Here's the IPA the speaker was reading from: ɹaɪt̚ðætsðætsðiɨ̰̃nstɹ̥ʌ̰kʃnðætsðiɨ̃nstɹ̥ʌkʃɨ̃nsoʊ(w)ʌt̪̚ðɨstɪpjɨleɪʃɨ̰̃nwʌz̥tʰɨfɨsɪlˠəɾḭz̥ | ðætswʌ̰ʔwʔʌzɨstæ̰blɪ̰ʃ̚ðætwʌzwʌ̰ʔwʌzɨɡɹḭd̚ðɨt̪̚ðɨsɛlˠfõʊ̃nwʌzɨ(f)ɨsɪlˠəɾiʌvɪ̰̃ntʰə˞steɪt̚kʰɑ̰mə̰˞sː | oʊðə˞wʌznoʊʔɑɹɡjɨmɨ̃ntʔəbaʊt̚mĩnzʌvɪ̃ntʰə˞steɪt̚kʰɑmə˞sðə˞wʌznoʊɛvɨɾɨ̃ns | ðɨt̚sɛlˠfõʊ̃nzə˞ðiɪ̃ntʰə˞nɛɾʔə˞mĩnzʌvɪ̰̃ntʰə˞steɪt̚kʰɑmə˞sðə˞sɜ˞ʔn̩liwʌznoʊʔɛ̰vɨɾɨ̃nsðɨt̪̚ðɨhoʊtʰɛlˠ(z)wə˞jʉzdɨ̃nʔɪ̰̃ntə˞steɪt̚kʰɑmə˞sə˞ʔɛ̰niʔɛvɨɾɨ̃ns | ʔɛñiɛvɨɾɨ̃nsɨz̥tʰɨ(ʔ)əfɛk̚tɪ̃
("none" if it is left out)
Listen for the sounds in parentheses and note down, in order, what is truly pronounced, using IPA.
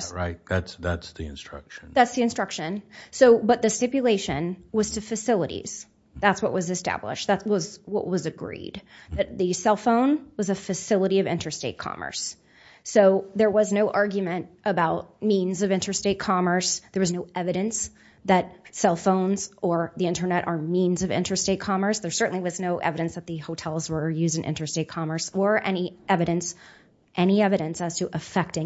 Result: b, f, z, ʔ

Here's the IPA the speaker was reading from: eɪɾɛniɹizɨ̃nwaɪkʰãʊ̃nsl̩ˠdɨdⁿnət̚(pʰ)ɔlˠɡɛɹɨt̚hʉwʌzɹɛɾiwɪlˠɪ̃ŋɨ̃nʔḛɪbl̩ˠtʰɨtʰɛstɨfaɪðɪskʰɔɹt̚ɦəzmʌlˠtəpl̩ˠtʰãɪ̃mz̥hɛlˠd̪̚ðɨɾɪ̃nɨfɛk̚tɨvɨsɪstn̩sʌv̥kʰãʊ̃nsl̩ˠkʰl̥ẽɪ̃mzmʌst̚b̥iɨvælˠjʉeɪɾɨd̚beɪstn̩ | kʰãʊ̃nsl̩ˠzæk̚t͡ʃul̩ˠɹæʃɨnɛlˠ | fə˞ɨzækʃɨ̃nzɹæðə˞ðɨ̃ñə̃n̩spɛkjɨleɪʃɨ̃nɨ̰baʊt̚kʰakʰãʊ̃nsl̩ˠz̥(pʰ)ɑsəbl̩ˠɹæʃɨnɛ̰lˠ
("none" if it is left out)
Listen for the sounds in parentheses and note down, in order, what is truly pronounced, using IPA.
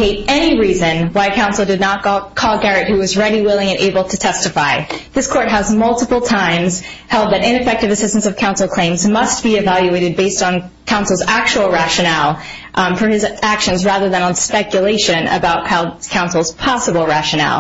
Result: kʰ, pʰ

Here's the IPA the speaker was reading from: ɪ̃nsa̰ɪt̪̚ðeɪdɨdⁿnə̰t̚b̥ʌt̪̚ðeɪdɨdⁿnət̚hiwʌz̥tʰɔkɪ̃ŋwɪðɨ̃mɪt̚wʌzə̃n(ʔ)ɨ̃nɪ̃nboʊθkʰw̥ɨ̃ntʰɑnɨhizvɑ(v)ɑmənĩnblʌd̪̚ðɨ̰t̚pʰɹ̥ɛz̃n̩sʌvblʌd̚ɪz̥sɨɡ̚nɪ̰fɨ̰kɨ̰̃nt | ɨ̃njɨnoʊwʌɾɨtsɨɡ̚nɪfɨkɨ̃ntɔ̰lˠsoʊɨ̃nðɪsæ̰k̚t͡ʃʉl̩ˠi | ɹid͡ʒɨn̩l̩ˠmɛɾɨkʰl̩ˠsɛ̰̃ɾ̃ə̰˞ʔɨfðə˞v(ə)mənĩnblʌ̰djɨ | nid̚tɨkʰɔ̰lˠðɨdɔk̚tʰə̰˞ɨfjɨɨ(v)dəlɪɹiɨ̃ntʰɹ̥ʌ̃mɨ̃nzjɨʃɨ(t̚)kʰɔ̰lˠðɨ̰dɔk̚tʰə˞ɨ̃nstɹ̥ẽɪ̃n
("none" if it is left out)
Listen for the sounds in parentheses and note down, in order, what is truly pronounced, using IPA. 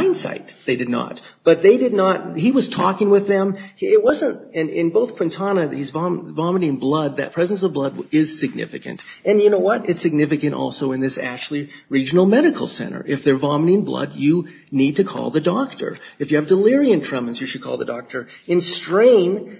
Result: t, v, ɑ, v, d̚

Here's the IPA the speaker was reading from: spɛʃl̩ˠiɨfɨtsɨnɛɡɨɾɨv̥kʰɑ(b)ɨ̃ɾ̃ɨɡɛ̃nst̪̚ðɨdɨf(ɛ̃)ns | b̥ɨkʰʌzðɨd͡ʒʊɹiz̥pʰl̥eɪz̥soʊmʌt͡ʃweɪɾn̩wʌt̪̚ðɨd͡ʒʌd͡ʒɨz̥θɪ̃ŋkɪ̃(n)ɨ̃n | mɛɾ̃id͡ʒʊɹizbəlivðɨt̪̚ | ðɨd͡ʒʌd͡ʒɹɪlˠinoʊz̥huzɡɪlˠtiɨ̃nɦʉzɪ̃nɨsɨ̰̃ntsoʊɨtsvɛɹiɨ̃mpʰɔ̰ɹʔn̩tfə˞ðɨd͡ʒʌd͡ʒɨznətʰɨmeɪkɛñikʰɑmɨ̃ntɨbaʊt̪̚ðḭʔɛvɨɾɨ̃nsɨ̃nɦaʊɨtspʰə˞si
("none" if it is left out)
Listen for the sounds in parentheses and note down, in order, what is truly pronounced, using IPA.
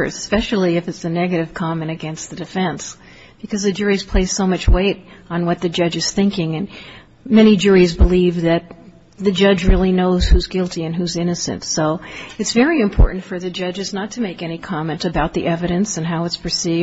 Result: m, ɛ̃, ŋ

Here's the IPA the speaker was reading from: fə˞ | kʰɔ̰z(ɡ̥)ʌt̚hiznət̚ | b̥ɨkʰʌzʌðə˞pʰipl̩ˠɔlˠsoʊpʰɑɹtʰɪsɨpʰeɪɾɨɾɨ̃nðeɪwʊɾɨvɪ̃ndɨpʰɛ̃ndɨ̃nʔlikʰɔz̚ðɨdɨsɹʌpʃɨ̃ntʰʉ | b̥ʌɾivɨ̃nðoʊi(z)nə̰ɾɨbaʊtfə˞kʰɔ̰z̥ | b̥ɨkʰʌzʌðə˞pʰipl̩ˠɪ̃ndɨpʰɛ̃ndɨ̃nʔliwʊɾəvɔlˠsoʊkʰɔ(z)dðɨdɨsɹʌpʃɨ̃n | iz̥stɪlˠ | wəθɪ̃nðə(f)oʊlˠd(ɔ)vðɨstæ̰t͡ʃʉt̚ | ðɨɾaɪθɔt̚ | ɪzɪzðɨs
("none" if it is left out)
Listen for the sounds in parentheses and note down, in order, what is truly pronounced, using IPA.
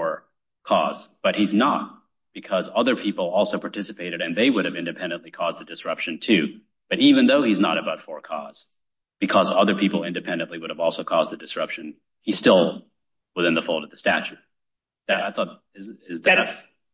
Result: b̥, z, z, f, ʌ

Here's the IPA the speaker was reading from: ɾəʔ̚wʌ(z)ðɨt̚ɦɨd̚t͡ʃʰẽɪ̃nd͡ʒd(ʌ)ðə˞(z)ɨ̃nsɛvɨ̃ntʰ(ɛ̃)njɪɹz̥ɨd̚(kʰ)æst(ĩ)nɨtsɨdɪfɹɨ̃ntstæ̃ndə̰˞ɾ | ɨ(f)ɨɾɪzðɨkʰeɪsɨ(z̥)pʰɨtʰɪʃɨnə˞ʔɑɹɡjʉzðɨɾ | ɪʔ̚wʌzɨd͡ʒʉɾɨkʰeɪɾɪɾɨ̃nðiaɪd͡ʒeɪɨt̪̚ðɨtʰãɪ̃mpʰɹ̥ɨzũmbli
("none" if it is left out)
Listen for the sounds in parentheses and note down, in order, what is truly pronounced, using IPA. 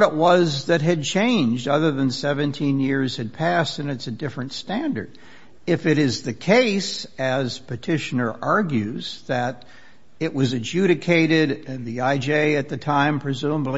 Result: z, ʌ, ð, ĩ, pʰ, ɨ̃, f, z̥

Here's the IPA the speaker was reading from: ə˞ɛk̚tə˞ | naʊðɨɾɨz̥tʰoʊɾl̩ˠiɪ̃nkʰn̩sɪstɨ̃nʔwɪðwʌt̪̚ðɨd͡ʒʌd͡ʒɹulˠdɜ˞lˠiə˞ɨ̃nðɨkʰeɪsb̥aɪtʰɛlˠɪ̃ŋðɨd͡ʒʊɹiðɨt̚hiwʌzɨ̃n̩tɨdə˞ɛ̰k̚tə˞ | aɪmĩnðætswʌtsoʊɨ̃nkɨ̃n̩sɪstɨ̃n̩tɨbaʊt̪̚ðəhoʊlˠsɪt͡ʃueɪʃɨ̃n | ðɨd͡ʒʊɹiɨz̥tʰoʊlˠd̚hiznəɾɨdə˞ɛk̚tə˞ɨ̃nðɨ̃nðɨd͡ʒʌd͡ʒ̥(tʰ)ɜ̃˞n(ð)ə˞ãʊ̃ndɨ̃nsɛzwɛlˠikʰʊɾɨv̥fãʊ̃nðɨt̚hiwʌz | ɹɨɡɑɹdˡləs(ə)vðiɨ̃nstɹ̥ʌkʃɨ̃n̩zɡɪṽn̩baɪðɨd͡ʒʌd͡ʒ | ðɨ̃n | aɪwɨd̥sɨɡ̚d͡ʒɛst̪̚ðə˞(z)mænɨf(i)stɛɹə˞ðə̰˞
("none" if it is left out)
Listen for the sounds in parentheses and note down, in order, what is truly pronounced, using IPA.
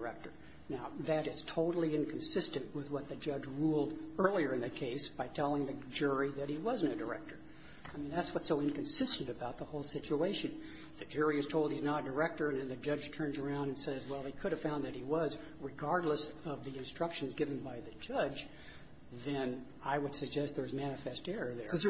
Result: tʰ, z, ʌ, z, ɛ

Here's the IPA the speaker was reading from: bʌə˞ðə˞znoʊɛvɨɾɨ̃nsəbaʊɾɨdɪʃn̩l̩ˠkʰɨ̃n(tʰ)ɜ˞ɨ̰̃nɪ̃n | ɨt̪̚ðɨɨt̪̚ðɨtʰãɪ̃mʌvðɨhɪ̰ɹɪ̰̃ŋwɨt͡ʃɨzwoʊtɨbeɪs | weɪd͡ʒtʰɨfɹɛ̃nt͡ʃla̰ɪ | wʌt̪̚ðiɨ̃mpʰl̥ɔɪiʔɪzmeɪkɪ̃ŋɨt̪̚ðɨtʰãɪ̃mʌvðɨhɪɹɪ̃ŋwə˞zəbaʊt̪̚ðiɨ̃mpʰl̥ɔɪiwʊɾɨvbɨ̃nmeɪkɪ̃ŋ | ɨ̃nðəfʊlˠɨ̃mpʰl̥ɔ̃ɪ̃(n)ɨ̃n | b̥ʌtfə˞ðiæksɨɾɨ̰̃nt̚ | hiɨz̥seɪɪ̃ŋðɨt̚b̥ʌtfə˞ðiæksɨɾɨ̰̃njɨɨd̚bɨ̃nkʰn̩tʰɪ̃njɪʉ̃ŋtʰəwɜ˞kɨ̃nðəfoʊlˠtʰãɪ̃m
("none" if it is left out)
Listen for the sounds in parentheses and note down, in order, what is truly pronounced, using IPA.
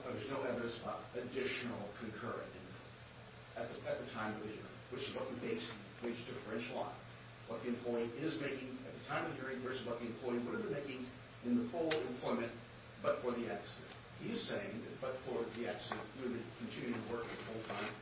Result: kʰ, m

